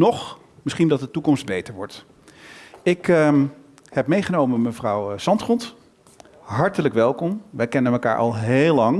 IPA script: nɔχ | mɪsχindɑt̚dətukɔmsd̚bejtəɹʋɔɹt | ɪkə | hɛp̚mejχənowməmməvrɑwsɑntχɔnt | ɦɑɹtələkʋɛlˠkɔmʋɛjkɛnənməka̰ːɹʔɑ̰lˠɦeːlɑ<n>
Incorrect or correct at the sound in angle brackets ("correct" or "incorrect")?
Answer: incorrect